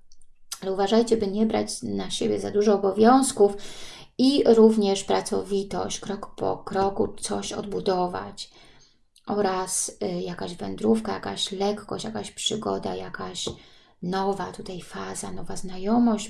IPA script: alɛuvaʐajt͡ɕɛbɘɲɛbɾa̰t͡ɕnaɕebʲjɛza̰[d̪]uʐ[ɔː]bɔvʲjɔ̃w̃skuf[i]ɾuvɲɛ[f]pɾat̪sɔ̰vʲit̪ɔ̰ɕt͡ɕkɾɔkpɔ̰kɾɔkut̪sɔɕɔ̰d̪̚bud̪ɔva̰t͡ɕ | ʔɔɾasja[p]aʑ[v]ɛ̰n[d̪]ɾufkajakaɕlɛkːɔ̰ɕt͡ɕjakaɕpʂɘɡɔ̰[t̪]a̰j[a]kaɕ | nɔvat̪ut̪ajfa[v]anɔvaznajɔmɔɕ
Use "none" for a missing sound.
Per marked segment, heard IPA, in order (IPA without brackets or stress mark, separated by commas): d̪, ɔː, i, ʂ, k, v, d̪, d̪, a, z